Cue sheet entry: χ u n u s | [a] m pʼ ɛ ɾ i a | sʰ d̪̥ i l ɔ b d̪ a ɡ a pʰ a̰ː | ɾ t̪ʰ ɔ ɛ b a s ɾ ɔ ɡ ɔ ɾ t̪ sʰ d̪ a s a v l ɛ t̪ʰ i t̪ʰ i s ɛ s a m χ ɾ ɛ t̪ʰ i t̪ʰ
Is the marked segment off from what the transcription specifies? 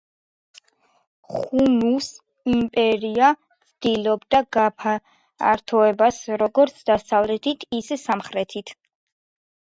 yes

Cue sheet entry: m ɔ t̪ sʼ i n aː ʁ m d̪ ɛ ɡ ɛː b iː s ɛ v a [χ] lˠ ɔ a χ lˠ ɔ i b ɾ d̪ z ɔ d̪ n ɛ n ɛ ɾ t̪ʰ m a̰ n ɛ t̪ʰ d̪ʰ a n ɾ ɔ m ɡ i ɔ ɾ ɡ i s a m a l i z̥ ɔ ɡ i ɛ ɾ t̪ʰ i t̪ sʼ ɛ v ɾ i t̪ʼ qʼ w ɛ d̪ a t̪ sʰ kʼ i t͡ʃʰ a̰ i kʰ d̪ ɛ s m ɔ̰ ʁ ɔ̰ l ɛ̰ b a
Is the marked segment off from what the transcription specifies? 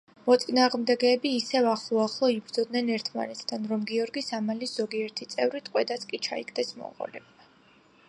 no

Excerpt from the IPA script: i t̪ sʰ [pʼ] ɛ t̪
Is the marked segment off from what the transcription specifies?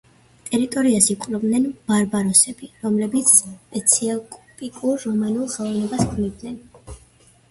no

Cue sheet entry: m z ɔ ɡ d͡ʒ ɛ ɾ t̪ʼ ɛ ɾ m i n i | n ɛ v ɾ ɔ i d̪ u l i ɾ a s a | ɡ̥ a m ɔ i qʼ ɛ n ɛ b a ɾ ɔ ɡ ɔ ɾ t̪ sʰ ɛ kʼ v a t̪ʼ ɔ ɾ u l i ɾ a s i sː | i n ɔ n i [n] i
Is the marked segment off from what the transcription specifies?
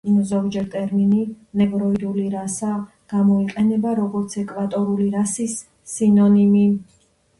yes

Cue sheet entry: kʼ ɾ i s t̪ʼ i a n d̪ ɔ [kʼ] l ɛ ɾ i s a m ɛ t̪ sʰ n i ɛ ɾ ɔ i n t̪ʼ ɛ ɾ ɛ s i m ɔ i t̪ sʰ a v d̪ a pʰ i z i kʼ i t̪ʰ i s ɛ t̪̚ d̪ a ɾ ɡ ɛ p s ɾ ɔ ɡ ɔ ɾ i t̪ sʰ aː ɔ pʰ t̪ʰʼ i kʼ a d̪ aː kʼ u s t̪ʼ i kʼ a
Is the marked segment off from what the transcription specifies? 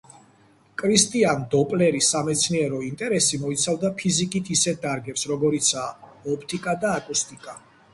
yes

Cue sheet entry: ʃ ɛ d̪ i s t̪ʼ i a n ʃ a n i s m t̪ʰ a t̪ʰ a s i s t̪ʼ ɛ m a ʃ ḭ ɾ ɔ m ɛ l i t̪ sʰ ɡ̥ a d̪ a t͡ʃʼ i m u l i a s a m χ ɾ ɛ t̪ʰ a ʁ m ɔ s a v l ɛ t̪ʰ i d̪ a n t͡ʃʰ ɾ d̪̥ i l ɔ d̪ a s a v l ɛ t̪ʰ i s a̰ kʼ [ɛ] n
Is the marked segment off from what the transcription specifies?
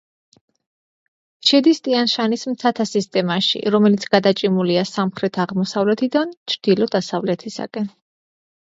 no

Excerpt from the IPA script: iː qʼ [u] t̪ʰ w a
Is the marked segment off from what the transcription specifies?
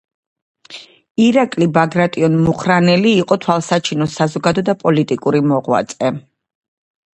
yes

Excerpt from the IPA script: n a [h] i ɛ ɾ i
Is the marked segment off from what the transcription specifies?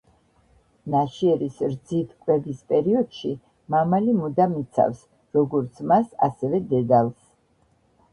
yes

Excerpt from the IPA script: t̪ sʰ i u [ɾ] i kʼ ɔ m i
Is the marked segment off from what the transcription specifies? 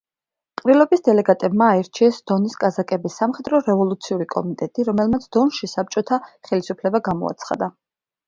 no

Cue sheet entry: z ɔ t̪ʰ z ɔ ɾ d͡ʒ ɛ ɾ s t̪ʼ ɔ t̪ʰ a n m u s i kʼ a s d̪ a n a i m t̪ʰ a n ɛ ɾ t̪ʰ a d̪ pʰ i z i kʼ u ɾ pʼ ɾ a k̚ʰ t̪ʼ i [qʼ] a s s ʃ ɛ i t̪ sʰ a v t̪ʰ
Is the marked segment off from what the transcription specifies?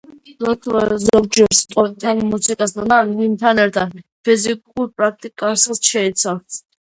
yes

